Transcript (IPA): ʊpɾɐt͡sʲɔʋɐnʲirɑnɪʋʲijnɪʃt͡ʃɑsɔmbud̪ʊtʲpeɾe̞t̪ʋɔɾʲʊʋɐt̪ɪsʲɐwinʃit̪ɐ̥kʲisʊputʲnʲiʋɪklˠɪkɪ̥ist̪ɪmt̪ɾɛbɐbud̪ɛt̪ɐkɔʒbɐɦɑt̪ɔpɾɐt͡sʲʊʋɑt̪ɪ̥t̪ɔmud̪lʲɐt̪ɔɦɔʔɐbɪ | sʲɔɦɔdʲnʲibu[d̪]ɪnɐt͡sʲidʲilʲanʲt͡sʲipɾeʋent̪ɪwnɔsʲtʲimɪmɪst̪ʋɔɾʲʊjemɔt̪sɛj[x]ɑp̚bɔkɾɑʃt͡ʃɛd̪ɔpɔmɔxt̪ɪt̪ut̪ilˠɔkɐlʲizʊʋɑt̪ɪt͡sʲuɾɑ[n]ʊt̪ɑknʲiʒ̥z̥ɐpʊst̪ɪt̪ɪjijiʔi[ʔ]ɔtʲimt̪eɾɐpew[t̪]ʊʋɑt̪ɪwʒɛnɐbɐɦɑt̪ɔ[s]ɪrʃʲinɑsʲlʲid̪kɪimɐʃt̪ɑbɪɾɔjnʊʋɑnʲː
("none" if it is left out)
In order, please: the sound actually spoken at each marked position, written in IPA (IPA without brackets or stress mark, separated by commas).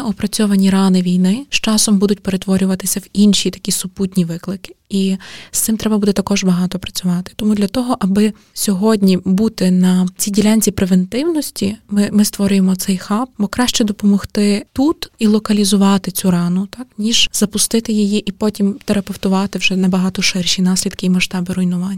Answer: t̪, x, n, p, t̪, ʃ